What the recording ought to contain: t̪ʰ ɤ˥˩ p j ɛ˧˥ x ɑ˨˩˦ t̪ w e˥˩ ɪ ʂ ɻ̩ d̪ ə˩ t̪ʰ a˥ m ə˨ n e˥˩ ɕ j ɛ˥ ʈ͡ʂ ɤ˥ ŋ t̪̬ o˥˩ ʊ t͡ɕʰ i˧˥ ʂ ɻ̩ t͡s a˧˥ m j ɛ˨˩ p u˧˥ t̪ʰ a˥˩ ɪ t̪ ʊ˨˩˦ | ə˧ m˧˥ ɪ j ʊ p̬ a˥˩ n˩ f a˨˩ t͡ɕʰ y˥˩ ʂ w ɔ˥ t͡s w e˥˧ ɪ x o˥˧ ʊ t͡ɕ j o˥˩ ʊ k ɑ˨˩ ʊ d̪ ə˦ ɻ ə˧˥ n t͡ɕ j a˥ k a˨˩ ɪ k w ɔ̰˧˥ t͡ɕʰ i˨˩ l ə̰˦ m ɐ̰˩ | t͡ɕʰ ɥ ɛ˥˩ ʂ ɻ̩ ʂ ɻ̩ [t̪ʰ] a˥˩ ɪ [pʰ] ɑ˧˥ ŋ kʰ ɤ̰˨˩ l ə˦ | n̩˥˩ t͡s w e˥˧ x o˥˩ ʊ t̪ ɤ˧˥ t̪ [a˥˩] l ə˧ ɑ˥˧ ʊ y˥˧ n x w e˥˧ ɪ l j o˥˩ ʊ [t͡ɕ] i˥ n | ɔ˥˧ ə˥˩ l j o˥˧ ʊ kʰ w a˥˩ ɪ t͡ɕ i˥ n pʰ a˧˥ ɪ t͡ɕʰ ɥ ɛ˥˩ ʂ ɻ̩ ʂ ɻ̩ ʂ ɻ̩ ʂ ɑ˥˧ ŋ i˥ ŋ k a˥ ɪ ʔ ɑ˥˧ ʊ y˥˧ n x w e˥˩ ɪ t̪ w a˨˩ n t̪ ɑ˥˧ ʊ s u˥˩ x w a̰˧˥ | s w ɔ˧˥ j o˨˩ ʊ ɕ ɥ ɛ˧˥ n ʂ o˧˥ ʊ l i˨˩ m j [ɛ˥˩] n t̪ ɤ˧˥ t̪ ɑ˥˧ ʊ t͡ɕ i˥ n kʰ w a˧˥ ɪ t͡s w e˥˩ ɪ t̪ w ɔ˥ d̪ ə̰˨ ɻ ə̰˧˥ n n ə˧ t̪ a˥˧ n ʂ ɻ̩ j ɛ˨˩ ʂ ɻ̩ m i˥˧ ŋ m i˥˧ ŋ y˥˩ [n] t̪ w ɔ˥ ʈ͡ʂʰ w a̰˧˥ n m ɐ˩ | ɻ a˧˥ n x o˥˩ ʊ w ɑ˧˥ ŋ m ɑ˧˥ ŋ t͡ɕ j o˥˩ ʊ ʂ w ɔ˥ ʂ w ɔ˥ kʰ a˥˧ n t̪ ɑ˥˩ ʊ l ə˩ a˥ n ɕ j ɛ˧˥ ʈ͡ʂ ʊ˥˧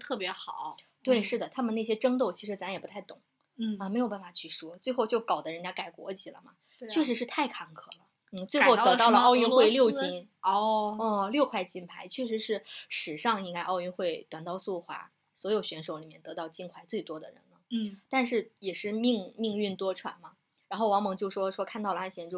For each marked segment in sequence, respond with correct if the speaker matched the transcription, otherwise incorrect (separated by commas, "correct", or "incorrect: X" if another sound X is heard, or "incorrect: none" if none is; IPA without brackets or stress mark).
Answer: correct, incorrect: kʰ, incorrect: ɑ˥˩, correct, correct, correct